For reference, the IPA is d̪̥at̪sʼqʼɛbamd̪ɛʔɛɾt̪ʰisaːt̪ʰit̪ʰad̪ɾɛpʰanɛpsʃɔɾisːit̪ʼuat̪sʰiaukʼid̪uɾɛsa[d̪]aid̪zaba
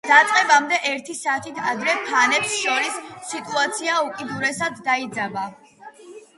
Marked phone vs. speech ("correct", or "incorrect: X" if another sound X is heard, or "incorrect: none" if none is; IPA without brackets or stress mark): incorrect: d̪ː